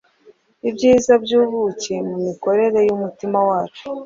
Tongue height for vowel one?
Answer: high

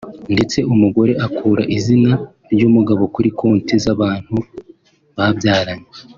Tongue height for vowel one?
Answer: mid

